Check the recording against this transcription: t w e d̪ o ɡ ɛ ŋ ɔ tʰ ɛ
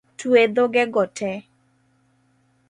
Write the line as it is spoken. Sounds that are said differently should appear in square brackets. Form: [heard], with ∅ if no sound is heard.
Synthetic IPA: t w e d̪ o ɡ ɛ [ɡ] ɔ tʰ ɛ